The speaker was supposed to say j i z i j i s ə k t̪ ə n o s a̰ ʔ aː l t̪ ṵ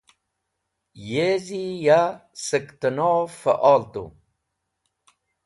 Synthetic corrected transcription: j e z i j a s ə k t̪ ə n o f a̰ ʔ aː l t̪ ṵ